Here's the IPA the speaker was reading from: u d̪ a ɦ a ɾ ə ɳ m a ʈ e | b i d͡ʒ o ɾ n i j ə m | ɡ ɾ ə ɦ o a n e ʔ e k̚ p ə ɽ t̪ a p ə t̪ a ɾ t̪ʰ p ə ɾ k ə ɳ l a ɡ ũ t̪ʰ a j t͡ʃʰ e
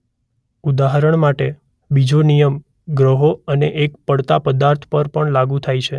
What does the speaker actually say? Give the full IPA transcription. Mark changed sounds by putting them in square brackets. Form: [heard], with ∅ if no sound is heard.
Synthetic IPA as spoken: u d̪ a ɦ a ɾ ə ɳ m a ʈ e | b i d͡ʒ o [∅] n i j ə m | ɡ ɾ ə ɦ o [ə] n e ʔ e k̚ p ə ɽ t̪ a p ə [d̪] a ɾ t̪ʰ p ə ɾ [p] ə ɳ l a ɡ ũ t̪ʰ a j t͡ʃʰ e